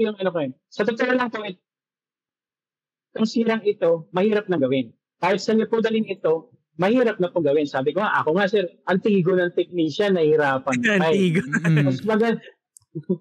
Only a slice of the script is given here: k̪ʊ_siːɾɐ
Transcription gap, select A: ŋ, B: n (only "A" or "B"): A